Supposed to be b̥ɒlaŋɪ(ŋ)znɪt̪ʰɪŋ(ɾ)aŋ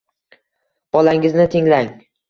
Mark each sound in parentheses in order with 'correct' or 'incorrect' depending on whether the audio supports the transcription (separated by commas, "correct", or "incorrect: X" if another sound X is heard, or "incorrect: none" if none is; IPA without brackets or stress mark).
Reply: incorrect: none, incorrect: l